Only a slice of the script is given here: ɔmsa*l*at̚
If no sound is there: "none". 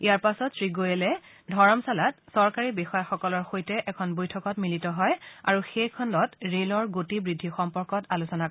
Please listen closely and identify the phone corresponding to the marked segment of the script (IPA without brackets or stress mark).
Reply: l